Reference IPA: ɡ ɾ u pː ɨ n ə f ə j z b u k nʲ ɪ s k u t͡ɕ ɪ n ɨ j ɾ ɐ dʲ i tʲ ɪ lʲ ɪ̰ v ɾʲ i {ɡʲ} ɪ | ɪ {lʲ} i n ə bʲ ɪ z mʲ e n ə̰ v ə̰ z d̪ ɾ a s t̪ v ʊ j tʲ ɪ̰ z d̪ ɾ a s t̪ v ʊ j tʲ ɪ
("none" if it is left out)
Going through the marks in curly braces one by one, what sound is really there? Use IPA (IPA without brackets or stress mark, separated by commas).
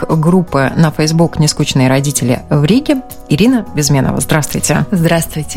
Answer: ɡʲ, ɾʲ